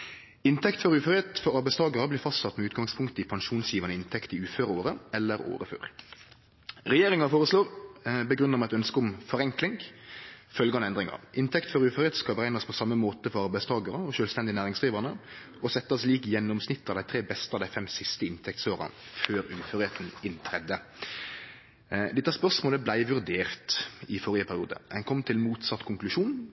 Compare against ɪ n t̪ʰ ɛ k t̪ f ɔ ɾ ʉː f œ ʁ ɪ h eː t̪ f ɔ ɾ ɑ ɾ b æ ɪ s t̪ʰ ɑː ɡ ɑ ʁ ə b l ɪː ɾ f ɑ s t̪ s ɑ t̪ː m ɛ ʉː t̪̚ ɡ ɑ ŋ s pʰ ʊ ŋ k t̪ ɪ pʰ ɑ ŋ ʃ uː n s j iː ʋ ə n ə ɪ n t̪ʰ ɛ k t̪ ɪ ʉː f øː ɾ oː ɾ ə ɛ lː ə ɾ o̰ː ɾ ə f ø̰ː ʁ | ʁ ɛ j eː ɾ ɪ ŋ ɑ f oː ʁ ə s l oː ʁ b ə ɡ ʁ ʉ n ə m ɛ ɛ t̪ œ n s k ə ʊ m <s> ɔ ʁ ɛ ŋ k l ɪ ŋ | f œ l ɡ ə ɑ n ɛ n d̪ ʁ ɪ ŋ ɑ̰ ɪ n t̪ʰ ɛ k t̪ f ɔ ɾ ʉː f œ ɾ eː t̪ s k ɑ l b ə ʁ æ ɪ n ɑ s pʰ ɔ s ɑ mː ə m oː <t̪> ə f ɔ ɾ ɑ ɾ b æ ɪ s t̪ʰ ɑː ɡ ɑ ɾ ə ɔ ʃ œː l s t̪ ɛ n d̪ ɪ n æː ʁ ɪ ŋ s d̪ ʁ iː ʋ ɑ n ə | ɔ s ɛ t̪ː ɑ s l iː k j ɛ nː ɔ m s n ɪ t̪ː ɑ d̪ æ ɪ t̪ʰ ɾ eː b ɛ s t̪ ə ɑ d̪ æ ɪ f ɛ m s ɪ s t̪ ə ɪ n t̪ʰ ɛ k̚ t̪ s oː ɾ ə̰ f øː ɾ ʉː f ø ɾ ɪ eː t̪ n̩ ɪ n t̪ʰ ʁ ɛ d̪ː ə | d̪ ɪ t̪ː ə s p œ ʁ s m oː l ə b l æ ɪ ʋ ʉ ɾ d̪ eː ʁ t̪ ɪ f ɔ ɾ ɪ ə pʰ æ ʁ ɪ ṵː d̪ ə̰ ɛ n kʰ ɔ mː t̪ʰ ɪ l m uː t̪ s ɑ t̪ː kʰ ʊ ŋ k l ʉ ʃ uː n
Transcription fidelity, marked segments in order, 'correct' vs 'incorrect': incorrect: f, correct

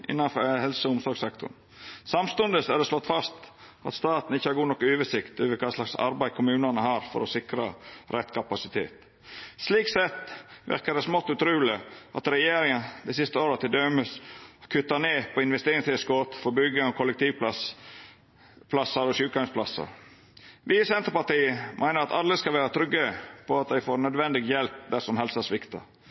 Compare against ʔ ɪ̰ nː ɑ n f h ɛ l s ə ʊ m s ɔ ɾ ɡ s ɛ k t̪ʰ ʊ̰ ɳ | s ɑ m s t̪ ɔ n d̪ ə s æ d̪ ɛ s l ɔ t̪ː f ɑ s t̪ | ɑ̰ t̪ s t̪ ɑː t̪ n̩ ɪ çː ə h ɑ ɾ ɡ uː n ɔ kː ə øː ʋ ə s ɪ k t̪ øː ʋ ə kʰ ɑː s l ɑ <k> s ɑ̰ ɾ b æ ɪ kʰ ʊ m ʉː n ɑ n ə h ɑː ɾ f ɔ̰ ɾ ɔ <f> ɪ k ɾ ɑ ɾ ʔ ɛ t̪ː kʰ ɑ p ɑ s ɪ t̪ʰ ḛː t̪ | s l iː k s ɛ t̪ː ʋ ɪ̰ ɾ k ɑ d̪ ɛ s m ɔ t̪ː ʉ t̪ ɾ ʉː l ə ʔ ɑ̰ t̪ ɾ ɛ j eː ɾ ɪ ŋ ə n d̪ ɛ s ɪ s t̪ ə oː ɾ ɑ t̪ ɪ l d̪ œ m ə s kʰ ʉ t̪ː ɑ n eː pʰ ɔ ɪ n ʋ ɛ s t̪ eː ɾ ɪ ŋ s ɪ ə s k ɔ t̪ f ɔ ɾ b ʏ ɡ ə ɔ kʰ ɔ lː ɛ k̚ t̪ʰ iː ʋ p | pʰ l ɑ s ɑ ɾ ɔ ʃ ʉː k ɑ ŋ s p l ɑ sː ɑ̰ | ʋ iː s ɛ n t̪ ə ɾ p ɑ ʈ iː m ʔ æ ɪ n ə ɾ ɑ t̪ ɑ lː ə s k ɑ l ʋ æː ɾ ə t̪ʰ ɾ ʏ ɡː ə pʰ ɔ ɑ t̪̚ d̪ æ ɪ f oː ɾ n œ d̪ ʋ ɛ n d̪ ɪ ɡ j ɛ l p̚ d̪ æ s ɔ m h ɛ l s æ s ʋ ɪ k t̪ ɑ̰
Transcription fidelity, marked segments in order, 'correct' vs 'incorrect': correct, incorrect: s

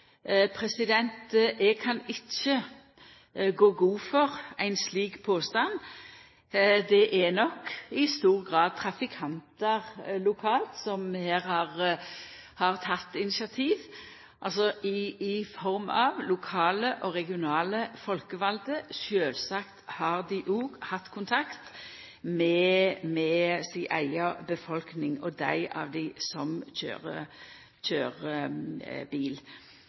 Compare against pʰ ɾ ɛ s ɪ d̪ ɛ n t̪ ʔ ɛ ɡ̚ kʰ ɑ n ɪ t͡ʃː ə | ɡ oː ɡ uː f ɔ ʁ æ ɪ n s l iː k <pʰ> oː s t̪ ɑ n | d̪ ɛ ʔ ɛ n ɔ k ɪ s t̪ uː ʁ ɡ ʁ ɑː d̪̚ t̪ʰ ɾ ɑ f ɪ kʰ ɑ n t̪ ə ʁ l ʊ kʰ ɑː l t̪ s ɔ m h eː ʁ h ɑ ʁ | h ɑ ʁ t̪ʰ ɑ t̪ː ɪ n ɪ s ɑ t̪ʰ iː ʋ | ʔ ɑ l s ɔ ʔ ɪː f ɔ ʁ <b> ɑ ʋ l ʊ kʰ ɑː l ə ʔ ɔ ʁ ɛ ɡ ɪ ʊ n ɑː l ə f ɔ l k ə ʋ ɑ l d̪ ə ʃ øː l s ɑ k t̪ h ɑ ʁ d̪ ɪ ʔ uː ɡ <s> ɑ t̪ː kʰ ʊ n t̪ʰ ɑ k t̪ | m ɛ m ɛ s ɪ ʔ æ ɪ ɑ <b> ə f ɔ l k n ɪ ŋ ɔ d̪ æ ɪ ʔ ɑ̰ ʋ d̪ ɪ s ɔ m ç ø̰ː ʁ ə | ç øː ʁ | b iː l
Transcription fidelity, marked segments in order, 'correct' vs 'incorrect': correct, incorrect: m, incorrect: h, correct

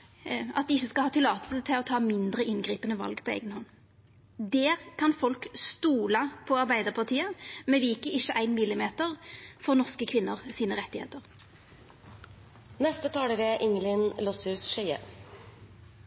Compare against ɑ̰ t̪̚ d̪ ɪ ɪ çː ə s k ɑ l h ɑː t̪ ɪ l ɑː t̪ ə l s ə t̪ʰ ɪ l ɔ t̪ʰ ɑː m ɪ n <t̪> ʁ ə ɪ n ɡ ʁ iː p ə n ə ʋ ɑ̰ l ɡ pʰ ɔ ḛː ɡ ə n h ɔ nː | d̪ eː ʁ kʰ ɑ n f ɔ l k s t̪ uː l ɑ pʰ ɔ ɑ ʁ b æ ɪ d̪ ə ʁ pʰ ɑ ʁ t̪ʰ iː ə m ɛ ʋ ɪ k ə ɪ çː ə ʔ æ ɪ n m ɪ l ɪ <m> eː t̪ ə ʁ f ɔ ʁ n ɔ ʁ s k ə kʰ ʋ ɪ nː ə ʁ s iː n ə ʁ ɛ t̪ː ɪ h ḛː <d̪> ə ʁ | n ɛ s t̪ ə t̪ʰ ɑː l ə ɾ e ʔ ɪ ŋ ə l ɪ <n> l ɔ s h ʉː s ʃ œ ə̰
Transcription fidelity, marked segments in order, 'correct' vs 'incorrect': incorrect: d̪, correct, incorrect: t̪, correct

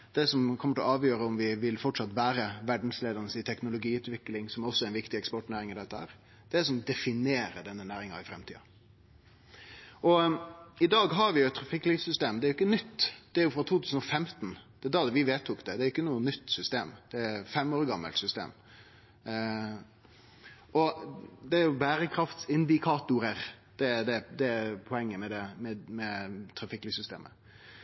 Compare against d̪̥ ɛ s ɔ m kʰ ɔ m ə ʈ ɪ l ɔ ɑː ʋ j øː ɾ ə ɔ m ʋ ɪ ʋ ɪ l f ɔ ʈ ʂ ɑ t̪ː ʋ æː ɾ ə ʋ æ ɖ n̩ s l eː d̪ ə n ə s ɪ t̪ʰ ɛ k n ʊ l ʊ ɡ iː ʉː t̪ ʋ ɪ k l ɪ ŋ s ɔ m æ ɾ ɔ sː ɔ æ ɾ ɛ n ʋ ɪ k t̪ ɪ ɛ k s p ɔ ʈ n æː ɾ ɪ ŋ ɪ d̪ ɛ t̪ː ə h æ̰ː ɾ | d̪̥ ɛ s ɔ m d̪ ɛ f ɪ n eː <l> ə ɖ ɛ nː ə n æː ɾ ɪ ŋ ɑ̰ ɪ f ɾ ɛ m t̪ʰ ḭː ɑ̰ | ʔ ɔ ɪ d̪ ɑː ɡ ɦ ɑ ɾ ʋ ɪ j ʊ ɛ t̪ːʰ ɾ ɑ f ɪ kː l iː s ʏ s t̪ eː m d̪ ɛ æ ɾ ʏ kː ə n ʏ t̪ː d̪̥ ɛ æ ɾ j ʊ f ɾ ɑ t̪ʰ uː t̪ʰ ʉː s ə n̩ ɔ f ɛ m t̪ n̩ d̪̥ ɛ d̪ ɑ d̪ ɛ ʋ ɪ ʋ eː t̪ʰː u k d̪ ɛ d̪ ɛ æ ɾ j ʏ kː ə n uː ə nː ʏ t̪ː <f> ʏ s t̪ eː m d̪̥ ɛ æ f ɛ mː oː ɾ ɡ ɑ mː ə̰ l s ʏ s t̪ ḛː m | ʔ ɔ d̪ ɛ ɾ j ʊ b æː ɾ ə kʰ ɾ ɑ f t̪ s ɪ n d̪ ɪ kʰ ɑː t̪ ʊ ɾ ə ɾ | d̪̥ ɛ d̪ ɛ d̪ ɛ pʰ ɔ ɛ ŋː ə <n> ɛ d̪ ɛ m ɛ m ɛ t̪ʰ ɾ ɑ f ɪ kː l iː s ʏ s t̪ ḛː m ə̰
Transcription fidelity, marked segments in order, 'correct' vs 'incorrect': incorrect: ɾ, incorrect: s, incorrect: m

